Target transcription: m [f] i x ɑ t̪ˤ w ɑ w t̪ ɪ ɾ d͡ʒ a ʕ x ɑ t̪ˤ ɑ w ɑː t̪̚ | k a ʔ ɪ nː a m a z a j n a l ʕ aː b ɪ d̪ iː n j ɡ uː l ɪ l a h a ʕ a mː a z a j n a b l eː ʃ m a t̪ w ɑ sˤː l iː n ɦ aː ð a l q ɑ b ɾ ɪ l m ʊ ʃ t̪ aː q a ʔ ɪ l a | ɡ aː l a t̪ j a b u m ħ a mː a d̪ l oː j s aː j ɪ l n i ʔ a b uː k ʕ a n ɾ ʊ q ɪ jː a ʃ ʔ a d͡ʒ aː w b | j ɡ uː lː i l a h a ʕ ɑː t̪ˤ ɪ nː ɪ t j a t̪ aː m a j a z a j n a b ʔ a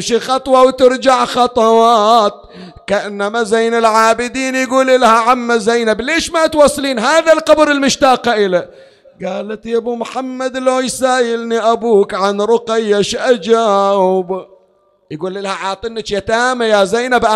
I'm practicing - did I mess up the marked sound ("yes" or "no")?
yes